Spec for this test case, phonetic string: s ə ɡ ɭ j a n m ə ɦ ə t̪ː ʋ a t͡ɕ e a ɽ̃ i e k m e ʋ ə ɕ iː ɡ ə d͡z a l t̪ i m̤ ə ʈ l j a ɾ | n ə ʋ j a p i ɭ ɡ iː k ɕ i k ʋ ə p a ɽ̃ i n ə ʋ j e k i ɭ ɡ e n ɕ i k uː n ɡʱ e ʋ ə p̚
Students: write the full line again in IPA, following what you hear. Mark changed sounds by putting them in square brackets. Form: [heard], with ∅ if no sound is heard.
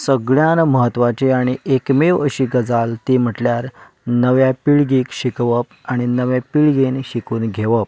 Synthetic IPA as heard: s ə ɡ ɭ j a n m ə ɦ ə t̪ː ʋ a t͡ɕ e a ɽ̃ i e k m e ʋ ə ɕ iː ɡ ə d͡z a l t̪ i m̤ ə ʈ l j a ɾ | n ə ʋ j a p i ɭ ɡ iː k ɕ i k ʋ ə p a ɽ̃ i n ə ʋ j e [p] i ɭ ɡ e n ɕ i k uː n ɡʱ e ʋ ə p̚

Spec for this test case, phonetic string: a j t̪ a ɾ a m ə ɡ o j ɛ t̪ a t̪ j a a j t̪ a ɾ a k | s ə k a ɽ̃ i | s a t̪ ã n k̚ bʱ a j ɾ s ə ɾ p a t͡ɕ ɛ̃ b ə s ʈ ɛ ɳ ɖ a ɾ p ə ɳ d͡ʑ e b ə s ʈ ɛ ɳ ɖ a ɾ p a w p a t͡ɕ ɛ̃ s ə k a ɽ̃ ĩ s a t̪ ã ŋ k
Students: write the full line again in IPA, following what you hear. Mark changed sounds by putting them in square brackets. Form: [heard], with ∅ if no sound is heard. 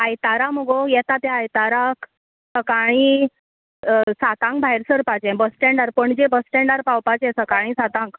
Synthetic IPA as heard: a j t̪ a ɾ a m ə ɡ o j ɛ t̪ a t̪ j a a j t̪ a ɾ a k | s ə k a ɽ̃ i | s a t̪ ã [ŋ] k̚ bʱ a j ɾ s ə ɾ p a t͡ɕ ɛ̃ b ə s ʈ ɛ ɳ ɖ a ɾ p ə ɳ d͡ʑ e b ə s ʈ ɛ ɳ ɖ a ɾ p a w p a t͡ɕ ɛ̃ s ə k a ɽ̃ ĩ s a t̪ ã ŋ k

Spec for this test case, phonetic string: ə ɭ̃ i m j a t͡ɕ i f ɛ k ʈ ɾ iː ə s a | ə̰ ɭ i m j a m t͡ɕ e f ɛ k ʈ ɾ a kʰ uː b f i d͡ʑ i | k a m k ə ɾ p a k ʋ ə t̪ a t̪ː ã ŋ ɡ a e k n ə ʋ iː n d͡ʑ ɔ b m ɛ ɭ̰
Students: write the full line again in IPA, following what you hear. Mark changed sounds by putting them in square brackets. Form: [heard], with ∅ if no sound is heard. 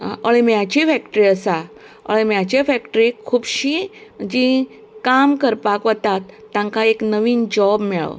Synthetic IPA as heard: ə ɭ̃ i m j a t͡ɕ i f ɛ k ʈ ɾ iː ə s a | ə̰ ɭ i m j a [∅] t͡ɕ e f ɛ k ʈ ɾ [i] kʰ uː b [ɕ] i d͡ʑ i | k a m k ə ɾ p a k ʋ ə t̪ a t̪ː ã ŋ [k] a e k n ə ʋ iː n d͡ʑ ɔ b m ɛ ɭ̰

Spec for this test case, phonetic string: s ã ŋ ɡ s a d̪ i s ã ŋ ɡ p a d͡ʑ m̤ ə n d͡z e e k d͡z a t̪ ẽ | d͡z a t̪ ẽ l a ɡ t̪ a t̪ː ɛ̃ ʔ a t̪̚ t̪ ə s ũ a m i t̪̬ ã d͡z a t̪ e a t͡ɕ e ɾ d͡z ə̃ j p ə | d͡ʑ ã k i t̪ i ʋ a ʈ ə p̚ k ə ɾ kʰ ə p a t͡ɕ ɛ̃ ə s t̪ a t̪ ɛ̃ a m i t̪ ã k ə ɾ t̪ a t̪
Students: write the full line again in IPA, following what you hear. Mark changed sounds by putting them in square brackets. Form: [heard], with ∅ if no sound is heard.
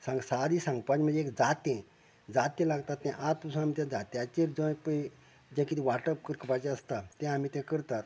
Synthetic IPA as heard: s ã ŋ ɡ s a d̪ i s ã ŋ ɡ p a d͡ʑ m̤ ə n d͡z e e k d͡z a t̪ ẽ | d͡z a t̪ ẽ l a ɡ t̪ a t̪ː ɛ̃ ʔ a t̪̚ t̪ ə s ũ a m i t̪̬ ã d͡z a t̪ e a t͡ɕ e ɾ d͡z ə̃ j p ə | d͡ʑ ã k i t̪ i ʋ a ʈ ə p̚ k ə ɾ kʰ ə p a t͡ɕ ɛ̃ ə s t̪ a t̪ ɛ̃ a m i t̪ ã k ə ɾ t̪ a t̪

